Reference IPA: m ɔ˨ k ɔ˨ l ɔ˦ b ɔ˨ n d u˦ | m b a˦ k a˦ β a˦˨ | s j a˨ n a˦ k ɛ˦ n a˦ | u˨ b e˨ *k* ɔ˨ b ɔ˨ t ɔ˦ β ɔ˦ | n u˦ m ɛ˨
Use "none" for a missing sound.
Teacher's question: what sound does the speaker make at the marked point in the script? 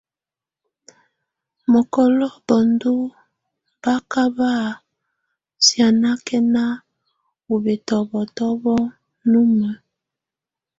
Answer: t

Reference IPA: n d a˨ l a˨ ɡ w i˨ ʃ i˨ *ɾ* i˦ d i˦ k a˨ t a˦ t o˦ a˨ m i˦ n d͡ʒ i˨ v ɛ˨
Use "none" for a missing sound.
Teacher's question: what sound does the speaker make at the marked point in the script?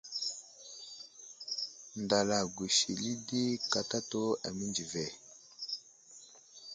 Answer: l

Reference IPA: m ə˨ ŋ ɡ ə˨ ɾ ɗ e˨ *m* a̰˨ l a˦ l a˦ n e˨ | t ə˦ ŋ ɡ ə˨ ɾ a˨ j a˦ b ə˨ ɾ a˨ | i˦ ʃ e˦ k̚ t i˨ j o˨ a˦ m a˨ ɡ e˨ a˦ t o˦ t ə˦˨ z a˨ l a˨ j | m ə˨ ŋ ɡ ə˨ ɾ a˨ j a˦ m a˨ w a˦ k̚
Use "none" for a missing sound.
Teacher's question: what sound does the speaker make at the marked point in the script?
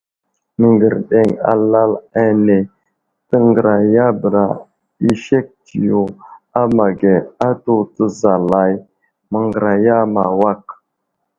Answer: ŋ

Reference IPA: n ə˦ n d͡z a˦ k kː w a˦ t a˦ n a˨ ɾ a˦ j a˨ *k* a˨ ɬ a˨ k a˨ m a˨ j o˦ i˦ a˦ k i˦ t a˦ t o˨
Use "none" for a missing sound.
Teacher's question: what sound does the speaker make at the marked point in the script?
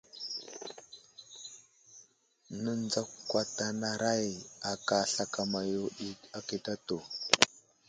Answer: k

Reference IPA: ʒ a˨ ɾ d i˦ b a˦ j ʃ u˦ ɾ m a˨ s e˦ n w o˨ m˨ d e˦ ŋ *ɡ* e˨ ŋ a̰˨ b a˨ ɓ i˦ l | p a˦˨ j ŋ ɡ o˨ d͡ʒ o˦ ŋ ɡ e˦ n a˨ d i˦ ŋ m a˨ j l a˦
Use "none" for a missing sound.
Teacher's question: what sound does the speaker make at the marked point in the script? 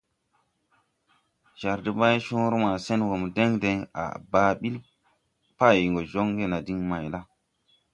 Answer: d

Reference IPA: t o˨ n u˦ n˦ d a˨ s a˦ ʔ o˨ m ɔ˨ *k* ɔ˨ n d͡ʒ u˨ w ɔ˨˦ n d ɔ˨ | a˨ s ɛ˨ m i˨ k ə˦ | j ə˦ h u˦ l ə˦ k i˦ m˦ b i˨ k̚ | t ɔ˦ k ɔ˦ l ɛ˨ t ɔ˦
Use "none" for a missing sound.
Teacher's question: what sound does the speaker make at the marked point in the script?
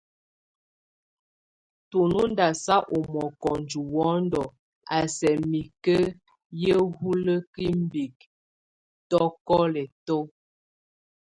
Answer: k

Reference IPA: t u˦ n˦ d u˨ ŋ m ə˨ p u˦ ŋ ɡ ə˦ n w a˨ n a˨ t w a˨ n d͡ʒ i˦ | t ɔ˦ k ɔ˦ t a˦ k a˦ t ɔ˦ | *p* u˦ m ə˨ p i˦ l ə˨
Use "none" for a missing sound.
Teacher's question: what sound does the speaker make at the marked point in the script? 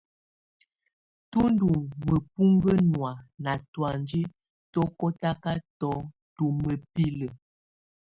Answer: t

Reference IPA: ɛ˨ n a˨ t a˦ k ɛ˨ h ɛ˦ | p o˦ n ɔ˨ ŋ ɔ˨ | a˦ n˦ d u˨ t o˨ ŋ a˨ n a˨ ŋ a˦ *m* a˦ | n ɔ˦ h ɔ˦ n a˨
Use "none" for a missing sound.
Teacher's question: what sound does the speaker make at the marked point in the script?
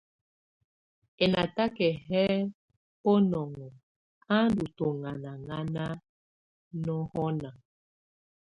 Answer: n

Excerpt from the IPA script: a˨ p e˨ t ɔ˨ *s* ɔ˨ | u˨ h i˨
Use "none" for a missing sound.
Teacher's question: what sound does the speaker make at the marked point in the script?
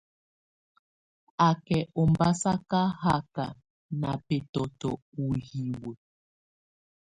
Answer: t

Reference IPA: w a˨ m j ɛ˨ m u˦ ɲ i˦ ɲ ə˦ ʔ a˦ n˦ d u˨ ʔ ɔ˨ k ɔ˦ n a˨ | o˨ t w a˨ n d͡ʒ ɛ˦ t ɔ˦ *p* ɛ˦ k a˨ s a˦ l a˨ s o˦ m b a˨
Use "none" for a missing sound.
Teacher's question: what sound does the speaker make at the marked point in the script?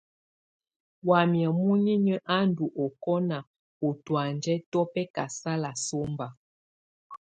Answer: p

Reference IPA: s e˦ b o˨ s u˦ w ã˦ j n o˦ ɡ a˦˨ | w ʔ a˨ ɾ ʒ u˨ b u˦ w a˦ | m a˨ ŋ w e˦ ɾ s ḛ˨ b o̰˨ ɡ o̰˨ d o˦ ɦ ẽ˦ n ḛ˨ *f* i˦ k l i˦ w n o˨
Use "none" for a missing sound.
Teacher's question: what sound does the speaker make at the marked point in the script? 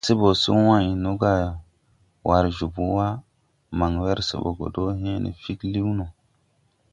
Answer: f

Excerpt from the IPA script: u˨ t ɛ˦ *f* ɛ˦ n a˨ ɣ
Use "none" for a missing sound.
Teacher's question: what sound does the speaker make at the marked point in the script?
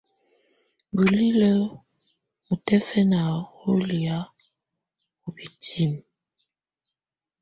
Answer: f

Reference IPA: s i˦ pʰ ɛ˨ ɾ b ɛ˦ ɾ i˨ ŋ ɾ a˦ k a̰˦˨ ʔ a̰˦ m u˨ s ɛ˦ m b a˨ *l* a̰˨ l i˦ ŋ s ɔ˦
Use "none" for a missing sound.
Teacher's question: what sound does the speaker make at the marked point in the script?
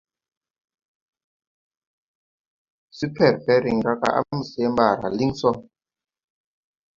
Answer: ɾ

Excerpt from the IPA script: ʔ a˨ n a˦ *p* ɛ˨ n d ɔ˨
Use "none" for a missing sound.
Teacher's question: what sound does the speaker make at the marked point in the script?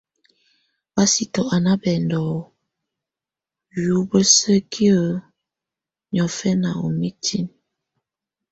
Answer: b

